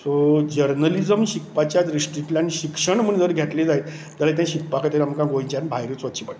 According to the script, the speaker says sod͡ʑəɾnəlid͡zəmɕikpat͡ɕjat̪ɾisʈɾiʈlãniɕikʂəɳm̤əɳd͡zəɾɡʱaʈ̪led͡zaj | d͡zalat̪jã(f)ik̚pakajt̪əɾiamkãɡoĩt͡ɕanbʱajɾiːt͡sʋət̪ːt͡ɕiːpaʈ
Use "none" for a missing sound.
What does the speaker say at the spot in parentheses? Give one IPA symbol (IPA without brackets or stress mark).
ɕ